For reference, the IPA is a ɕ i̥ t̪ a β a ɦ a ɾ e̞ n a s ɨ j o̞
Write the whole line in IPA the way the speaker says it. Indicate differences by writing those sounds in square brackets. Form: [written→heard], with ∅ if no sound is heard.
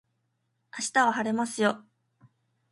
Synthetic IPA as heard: a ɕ i̥ t̪ a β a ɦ a ɾ e̞ [n→m] a s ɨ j o̞